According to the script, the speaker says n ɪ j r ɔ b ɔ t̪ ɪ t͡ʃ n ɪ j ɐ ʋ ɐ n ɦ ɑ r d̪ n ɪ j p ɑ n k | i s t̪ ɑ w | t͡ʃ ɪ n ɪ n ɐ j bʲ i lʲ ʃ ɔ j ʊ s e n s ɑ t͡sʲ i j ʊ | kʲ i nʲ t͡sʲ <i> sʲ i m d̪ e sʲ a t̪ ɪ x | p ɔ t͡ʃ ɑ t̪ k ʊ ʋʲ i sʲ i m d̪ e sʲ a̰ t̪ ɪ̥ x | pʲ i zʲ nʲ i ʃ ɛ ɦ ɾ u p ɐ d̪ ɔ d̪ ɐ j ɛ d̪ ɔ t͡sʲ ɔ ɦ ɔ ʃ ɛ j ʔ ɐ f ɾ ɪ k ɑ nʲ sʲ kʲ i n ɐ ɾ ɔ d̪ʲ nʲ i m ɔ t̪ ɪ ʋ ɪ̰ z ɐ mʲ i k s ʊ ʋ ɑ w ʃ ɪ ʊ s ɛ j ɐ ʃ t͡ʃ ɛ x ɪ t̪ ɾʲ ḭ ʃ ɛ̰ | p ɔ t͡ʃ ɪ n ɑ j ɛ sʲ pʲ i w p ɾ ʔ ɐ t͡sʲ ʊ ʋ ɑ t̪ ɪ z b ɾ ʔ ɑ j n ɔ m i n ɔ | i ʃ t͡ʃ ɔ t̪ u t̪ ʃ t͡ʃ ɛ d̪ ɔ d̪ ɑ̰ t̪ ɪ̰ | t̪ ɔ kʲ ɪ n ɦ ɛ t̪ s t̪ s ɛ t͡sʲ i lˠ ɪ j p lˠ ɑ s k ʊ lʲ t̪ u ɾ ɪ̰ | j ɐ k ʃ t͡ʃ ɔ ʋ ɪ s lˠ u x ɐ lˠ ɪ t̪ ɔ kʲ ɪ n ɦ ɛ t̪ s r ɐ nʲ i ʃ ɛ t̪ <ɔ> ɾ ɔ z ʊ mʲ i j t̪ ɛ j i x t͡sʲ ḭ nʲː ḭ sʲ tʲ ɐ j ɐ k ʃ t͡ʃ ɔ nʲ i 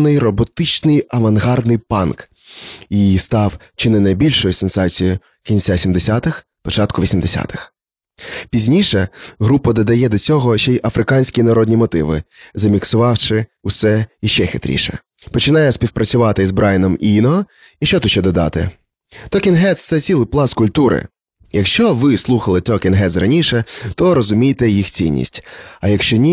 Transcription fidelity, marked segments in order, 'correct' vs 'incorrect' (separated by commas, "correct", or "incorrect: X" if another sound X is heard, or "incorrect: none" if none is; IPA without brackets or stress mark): incorrect: a, correct